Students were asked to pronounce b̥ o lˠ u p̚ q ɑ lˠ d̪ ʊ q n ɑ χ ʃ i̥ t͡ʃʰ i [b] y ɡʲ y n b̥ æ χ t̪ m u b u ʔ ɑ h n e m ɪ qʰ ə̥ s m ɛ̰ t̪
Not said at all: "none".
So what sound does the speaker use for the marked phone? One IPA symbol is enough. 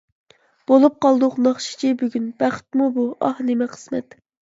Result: b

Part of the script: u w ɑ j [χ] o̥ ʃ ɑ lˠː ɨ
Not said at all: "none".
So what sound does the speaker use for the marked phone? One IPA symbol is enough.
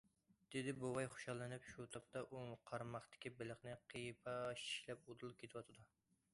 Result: χ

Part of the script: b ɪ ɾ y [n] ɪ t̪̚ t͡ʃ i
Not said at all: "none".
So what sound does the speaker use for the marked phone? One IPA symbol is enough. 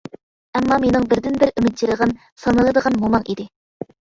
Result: m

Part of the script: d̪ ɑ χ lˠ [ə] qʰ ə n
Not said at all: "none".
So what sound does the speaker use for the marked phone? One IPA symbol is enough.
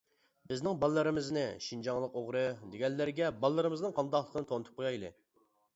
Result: ə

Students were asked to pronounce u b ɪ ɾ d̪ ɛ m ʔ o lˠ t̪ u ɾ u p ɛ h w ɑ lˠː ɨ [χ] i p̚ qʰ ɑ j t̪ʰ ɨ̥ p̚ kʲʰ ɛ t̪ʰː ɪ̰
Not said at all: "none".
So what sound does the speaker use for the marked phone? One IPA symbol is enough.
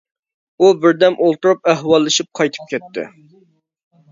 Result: ʃ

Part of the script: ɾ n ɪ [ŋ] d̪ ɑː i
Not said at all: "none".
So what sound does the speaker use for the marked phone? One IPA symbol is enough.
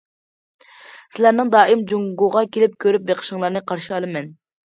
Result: ŋ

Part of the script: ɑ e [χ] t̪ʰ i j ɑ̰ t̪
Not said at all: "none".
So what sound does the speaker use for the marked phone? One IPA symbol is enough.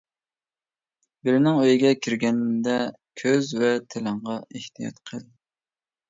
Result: h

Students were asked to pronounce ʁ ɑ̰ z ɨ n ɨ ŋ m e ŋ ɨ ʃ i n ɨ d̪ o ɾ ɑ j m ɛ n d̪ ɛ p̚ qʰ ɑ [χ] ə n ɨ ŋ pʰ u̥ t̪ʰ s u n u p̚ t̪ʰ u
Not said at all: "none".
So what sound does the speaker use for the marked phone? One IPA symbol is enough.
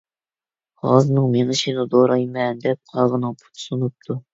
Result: ʁ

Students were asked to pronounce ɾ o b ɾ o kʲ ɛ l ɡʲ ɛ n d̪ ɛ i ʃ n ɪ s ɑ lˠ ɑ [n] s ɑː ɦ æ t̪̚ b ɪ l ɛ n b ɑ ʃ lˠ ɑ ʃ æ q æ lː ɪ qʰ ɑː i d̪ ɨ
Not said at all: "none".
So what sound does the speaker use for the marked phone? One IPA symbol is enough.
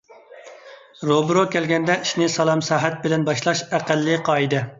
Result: m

